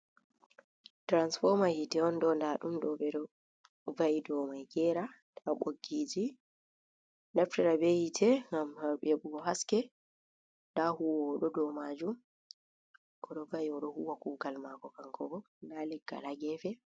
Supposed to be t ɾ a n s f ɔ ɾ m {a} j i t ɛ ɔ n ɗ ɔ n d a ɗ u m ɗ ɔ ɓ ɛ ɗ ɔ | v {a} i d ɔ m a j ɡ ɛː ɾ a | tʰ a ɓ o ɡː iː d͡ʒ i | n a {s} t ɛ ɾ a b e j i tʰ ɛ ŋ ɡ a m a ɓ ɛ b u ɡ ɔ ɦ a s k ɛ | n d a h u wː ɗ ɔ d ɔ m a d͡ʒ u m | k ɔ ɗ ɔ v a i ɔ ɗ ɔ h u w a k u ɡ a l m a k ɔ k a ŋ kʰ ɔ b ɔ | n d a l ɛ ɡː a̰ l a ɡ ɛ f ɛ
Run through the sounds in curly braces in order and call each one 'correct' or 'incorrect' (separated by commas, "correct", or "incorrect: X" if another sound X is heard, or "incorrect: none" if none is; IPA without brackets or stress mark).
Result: correct, correct, incorrect: f